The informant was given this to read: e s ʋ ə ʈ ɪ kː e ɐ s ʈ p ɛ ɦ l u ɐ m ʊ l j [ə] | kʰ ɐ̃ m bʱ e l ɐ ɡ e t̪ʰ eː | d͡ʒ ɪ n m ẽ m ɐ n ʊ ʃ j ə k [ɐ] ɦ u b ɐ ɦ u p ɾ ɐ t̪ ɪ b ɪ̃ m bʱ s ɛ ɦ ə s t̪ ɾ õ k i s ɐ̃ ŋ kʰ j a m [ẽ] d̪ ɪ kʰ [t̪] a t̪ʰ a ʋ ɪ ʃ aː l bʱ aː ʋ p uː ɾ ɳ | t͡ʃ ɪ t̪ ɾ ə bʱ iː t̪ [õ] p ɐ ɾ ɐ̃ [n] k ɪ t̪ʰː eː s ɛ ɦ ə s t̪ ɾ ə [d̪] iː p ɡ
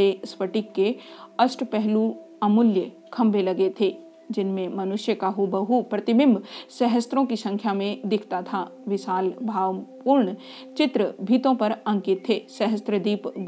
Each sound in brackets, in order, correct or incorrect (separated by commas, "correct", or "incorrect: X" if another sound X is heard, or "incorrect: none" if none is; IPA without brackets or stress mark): correct, incorrect: a, correct, correct, correct, incorrect: ŋ, correct